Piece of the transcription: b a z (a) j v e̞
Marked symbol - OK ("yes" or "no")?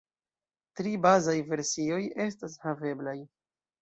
yes